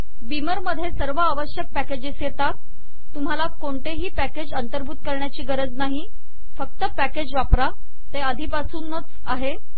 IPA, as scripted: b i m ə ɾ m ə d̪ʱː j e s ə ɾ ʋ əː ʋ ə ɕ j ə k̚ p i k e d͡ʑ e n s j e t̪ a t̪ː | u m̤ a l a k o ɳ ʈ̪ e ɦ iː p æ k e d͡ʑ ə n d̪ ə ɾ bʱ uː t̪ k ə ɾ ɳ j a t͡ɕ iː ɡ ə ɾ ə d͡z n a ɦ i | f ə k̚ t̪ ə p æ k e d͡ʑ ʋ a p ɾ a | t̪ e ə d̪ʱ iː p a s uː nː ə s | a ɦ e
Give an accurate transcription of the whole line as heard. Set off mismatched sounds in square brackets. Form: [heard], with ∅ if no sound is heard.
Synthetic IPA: b i m ə ɾ m ə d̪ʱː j e s ə ɾ ʋ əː ʋ ə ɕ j ə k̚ p [æ] k e d͡ʑ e [∅] s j e t̪ a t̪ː | u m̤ a l a k o ɳ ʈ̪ e ɦ iː p æ k e d͡ʑ ə n [t̪] ə ɾ bʱ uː t̪ k ə ɾ ɳ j a t͡ɕ iː ɡ ə ɾ ə d͡z n a ɦ i | f ə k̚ t̪ ə p æ k e d͡ʑ ʋ a p ɾ a | t̪ e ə d̪ʱ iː p a s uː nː ə [t͡s] | a ɦ e